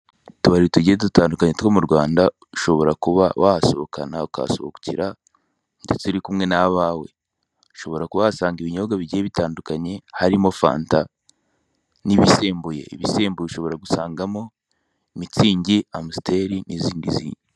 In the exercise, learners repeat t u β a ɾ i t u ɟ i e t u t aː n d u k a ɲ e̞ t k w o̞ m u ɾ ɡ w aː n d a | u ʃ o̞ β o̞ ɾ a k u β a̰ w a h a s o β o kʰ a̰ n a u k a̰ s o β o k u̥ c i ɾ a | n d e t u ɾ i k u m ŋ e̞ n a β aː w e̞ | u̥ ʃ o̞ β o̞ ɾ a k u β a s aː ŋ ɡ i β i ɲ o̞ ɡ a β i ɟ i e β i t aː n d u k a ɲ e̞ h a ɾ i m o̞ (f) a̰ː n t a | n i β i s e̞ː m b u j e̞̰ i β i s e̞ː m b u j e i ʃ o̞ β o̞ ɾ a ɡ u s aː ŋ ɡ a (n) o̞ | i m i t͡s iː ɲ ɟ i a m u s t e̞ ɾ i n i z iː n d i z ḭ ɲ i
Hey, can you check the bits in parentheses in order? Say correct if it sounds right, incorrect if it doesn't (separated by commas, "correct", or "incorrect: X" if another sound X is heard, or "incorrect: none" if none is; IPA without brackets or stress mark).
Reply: correct, incorrect: m